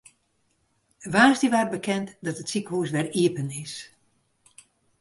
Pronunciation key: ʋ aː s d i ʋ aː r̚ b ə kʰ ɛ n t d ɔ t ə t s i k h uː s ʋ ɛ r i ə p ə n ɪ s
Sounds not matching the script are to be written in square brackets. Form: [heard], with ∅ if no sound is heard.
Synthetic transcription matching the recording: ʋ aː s d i ʋ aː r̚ b ə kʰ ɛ n t d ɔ t ə t s i k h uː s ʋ ɛ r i ə p ə n ɪ s

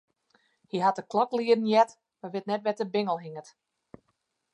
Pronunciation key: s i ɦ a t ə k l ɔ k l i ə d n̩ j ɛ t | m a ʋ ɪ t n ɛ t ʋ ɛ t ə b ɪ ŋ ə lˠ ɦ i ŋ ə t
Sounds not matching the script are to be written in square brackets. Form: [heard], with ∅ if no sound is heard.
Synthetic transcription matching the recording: [h] i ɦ a t ə k l ɔ k l i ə d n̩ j ɛ t | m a ʋ ɪ t n ɛ t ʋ ɛ t ə b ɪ ŋ ə lˠ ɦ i ŋ ə t

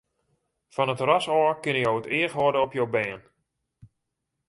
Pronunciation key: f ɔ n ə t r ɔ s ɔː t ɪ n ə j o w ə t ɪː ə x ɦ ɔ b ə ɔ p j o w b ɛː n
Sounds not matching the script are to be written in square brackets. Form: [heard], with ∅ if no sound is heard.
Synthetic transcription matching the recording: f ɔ n ə t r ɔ s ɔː [k] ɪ n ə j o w ə t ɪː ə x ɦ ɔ [d] ə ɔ p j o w b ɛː n

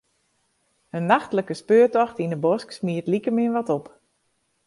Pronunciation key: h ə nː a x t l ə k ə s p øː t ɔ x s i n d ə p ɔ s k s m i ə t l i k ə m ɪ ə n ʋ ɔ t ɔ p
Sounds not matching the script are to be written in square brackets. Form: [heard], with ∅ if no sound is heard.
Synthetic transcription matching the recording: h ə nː a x t l ə k ə s p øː t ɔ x [t] i n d ə [b] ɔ s k s m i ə t l i k ə m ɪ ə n ʋ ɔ t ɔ p

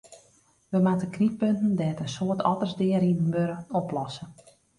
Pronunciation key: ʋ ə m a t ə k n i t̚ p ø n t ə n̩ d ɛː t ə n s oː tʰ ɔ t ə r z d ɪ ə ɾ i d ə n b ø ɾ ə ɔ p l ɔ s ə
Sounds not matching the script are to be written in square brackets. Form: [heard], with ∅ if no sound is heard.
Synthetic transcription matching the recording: ʋ ə m a t ə k n i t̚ p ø n t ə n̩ d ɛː t ə n s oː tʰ ɔ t ə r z d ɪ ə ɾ i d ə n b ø ɾ ə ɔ p l ɔ s ə

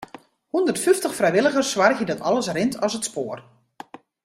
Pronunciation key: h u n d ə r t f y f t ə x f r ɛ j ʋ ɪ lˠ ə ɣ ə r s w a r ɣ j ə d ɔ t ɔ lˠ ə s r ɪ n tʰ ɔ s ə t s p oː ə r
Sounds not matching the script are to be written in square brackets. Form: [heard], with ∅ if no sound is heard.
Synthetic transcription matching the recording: h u n d ə r t f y f t ə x f r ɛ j ʋ ɪ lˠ ə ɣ ə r s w a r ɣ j ə d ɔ t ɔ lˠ ə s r ɪ n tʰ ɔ s ə t s p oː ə r

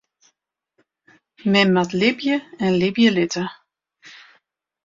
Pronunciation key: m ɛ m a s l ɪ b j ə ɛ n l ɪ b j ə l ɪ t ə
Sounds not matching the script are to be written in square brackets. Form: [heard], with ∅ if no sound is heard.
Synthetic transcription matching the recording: m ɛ m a [t] l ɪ b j ə ɛ n l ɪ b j ə l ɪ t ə

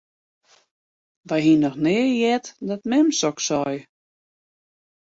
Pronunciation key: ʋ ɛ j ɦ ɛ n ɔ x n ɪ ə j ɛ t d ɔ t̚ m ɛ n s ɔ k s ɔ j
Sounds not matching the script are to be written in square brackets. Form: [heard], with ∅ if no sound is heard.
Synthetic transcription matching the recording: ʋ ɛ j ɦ [i] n ɔ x n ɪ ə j ɛ t d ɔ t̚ m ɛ [m] s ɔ k s ɔ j

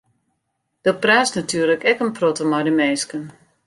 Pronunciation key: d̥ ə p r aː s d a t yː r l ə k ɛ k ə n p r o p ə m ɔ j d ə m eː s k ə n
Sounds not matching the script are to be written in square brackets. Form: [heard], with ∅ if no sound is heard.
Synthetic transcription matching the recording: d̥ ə p r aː s [n] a t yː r l ə k ɛ k ə n p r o [t] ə m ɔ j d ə m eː s k ə n

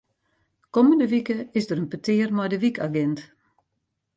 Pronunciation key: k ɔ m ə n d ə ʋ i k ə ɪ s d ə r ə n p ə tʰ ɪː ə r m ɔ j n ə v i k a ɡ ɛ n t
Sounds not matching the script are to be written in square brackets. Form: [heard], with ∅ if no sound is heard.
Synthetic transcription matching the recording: k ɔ m ə n d ə ʋ i k ə ɪ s d ə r ə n p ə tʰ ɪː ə r m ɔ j [d] ə [ʋ] i k a ɡ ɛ n t

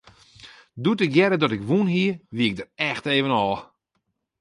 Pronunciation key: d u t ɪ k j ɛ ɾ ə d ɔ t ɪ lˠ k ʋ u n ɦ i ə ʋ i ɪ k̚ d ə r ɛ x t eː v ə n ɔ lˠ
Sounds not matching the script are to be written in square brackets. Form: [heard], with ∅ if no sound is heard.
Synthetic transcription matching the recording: d u t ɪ k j ɛ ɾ ə d ɔ t ɪ [∅] k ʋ u n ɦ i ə ʋ i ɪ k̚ d ə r ɛ x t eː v ə n ɔ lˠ

